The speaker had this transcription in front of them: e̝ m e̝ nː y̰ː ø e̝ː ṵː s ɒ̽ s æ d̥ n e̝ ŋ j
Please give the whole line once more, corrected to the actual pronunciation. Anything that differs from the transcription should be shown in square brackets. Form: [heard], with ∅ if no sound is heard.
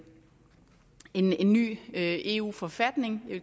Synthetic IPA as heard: e̝ [n] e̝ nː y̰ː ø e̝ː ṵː [f] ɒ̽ [f] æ d̥ n e̝ ŋ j